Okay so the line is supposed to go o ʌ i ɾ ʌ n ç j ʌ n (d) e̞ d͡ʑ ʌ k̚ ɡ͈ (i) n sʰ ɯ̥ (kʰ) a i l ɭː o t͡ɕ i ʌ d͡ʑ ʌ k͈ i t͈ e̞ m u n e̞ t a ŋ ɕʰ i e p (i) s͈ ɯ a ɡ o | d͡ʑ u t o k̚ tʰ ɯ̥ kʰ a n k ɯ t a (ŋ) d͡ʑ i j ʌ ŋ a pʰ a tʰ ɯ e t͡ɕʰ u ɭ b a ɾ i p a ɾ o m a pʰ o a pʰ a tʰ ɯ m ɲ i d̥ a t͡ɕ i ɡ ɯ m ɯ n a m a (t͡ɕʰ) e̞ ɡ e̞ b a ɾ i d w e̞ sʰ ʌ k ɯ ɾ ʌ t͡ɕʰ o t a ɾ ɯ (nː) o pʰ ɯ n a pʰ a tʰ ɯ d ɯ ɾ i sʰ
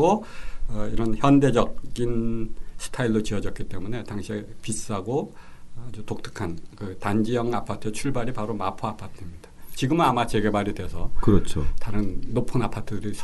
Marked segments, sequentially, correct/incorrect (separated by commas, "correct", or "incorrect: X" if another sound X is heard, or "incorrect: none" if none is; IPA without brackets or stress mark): correct, correct, incorrect: tʰ, correct, incorrect: n, incorrect: t͡ɕ, correct